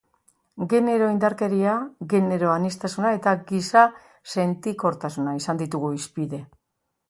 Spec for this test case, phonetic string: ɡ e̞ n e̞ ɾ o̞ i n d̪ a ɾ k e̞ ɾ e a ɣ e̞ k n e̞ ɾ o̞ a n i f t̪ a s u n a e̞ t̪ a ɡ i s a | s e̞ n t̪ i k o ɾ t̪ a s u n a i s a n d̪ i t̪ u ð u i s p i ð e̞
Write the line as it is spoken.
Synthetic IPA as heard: ɡ e̞ n e̞ ɾ o̞ i n d̪ a ɾ k e̞ ɾ i a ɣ e̞ n e̞ ɾ o̞ a n i s t̪ a s u n a e̞ t̪ a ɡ i s a | s e̞ n t̪ i k o ɾ t̪ a s u n a i s a n d̪ i t̪ u ɣ u i s p i ð e̞